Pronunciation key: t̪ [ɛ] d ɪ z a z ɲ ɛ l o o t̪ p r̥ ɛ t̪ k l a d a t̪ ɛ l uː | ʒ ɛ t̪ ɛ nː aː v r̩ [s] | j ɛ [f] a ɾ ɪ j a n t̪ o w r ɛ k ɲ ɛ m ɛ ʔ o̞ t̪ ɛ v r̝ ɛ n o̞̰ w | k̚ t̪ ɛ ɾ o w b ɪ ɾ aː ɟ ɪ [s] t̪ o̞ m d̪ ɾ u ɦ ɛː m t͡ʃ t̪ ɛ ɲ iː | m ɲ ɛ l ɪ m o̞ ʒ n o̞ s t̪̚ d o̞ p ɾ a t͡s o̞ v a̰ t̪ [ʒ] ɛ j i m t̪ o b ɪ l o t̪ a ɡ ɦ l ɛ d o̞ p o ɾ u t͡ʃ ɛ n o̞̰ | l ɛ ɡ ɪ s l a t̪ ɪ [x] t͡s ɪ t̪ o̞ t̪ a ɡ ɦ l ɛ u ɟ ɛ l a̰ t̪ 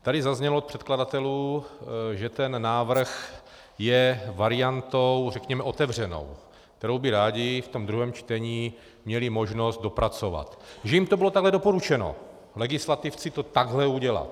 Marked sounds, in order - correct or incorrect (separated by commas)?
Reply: incorrect, incorrect, incorrect, incorrect, correct, incorrect